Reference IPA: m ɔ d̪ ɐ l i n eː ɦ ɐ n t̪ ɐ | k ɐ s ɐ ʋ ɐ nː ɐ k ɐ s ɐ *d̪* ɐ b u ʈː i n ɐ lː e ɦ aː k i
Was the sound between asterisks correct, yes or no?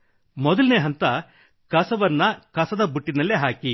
yes